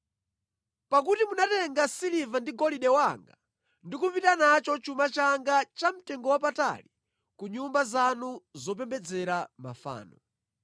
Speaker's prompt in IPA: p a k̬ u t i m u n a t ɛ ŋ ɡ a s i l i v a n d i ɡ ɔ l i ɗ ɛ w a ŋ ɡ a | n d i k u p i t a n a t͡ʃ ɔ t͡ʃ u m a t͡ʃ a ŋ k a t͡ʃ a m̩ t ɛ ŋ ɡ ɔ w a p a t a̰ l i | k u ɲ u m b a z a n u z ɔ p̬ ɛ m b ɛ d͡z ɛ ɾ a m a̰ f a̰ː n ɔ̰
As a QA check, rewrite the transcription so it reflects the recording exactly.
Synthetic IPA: p a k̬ u t i m u n a t ɛ ŋ ɡ a s i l i v a n d i ɡ ɔ l i ɗ ɛ w a ŋ ɡ a | n d i k u p i t a n a t͡ʃ ɔ t͡ʃ u m a t͡ʃ a ŋ ɡ a t͡ʃ a m̩ t ɛ ŋ ɡ ɔ w a p a t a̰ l i | k u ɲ u m b a z a n u z ɔ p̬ ɛ m b ɛ d͡z ɛ ɾ a m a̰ f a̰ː n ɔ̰